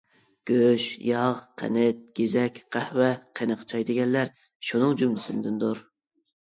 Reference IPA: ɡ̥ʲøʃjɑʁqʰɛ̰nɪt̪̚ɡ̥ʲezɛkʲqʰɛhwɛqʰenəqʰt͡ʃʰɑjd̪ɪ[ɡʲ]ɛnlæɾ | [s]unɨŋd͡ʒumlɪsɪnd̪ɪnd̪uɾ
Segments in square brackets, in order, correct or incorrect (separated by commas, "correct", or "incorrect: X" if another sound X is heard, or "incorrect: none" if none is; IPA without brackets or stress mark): correct, incorrect: ʃ